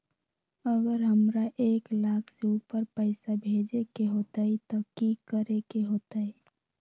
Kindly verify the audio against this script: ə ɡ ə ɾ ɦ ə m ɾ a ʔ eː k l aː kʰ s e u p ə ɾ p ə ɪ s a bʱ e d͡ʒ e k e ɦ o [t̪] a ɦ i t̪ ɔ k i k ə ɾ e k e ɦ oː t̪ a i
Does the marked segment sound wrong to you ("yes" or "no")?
no